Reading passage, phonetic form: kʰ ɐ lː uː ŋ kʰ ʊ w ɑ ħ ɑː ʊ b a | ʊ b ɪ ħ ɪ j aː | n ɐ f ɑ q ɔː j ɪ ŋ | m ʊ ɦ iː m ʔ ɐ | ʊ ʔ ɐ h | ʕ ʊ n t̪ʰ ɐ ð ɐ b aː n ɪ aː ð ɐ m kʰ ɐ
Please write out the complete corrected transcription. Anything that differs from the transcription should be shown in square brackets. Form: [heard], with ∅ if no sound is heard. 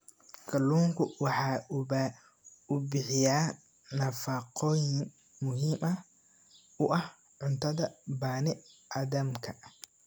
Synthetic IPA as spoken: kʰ ɐ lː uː ŋ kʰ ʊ w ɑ ħ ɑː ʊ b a | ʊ b ɪ ħ ɪ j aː | n ɐ f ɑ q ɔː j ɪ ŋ | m ʊ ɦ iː m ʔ ɐ | ʊ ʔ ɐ h | ʕ ʊ n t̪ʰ ɐ ð ɐ b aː n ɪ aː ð ɐ m kʰ ɐ